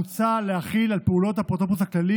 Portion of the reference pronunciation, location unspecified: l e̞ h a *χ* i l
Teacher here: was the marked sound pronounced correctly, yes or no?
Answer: yes